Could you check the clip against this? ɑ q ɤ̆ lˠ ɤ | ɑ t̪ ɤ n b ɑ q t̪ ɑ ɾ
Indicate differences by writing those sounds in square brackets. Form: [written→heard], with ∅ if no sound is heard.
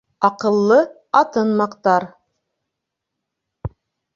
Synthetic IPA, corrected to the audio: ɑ q ɤ̆ [lˠ→lˠː] ɤ | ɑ t̪ ɤ n [b→m] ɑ q t̪ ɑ ɾ